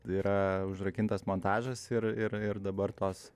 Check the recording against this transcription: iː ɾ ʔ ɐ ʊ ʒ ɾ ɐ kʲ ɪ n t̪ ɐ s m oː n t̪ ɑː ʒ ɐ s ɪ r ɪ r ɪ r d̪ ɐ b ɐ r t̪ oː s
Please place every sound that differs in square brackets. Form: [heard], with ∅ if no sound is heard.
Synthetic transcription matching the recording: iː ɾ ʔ ɐ ʊ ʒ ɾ ɐ kʲ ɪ n t̪ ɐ s m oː n t̪ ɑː ʒ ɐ s ɪ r ɪ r ɪ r d̪ ɐ b ɐ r t̪ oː s